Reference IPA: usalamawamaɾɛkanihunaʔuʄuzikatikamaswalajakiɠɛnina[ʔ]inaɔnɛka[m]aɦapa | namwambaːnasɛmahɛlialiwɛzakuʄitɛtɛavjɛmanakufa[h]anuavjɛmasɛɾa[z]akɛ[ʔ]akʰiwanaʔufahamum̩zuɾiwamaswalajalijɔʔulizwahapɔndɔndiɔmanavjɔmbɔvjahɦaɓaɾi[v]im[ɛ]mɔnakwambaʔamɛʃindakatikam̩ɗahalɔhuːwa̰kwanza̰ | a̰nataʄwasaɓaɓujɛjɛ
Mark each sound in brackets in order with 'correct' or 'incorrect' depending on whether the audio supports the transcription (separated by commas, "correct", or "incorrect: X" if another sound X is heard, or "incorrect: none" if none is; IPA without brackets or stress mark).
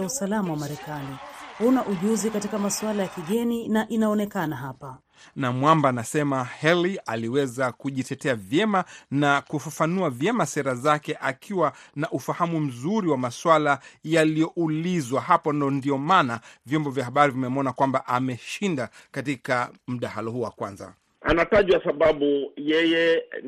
correct, incorrect: n, incorrect: f, correct, correct, correct, correct